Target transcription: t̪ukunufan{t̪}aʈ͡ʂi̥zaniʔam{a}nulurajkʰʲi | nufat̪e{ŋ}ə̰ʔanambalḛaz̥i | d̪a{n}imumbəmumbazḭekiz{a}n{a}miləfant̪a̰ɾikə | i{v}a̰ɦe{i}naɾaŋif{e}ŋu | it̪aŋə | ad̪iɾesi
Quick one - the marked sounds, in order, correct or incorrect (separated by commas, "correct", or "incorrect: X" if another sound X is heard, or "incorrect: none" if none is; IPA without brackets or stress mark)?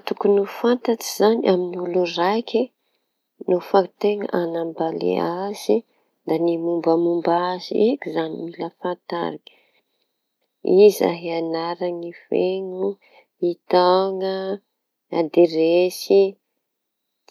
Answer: correct, incorrect: i, correct, correct, correct, incorrect: i, incorrect: z, incorrect: a, correct